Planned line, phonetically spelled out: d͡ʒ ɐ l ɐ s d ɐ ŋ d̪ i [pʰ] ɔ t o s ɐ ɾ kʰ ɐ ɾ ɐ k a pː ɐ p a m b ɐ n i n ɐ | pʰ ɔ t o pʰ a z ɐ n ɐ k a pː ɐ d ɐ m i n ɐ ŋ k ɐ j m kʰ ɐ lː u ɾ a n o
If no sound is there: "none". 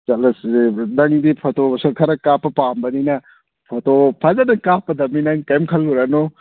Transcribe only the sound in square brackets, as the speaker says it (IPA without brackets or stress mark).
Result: pʰ